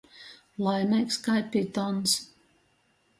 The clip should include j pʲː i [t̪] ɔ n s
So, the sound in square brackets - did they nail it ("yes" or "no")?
yes